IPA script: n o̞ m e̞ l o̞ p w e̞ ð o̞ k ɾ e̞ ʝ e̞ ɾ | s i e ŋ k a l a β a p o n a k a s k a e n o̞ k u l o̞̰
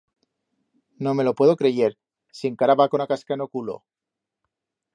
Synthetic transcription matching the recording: n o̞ m e̞ l o̞ p w e̞ ð o̞ k ɾ e̞ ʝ e̞ ɾ | s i e ŋ k a ɾ a β a k o n a k a s k a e n o̞ k u l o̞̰